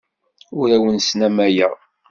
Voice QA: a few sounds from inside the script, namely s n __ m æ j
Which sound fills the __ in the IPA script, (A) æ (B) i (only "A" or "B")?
A